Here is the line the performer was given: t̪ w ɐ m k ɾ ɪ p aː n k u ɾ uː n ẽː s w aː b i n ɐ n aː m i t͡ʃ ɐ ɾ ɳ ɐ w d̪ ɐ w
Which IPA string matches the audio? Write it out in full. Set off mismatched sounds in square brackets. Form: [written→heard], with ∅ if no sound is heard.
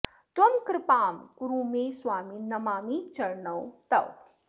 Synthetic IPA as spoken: t̪ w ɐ m k ɾ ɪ p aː [n→m] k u ɾ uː [n→m] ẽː s w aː [b→m] i n ɐ [n→m] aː m i t͡ʃ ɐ ɾ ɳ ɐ w [d̪→t̪] ɐ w